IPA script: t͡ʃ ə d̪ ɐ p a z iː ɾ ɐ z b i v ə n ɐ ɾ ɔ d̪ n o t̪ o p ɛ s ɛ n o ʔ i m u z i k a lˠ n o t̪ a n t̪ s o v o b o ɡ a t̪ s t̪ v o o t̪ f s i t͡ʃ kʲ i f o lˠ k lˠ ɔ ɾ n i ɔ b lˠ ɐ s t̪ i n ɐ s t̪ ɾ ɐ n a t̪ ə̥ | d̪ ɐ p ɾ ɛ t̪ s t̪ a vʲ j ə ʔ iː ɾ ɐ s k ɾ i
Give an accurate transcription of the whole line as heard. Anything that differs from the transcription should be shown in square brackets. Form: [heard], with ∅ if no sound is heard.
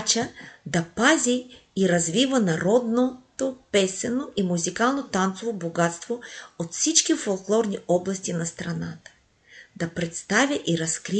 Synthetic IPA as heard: t͡ʃ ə d̪ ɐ p a z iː ɾ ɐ z [v] i v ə n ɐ ɾ ɔ d̪ n o t̪ o p ɛ s ɛ n o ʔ i m u z i k a lˠ n o t̪ a n t̪ s o v o b o ɡ a t̪ s t̪ v o o t̪ f s i t͡ʃ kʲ i f o lˠ k lˠ ɔ ɾ n i ɔ b lˠ ɐ s t̪ i n ɐ s t̪ ɾ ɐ n a t̪ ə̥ | d̪ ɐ p ɾ ɛ t̪ s t̪ a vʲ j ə ʔ [i] ɾ ɐ s k ɾ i